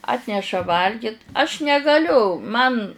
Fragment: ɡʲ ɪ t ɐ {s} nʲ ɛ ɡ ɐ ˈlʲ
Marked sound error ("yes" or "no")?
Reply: yes